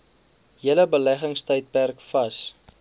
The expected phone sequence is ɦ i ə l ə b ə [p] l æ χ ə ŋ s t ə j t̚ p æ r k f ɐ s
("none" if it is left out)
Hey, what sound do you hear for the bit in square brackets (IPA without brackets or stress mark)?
none